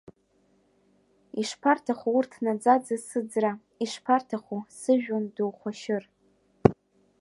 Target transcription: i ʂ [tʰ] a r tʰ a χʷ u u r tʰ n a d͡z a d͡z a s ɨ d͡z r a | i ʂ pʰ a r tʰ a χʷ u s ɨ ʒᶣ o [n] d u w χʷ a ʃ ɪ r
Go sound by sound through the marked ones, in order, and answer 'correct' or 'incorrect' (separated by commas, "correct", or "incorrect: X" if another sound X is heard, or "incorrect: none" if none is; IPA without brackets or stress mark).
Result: incorrect: pʰ, correct